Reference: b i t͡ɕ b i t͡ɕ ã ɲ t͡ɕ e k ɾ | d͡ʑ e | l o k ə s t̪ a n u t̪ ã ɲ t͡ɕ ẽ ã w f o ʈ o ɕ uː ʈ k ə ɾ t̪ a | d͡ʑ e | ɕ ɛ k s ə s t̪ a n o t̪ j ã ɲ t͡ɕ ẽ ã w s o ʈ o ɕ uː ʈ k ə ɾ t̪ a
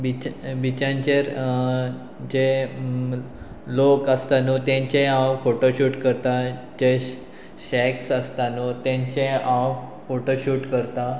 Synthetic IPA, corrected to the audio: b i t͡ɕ b i t͡ɕ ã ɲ t͡ɕ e ɾ | d͡ʑ e | l o k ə s t̪ a n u t̪ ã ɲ t͡ɕ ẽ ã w f o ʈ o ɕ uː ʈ k ə ɾ t̪ a | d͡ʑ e | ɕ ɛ k s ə s t̪ a n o t̪ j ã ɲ t͡ɕ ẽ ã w f o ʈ o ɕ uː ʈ k ə ɾ t̪ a